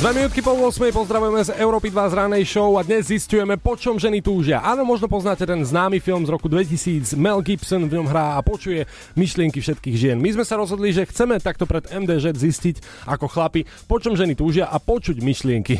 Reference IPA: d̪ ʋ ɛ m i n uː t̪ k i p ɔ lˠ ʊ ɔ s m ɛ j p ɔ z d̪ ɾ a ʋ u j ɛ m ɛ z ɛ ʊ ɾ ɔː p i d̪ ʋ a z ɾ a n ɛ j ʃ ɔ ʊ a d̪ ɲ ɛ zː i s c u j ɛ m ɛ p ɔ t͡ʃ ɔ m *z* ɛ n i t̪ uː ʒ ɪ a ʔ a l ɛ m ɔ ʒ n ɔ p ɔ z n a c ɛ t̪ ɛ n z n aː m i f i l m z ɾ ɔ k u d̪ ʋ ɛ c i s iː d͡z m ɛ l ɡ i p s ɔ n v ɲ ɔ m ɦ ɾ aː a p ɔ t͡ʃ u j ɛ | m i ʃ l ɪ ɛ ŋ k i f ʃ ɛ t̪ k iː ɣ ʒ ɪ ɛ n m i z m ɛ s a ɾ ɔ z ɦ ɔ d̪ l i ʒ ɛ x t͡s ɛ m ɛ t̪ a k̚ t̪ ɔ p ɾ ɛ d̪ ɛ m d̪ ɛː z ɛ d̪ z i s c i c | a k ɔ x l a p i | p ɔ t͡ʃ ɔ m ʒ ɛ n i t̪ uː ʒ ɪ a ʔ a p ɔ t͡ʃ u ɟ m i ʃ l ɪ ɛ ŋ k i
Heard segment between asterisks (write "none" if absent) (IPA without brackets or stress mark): ʒ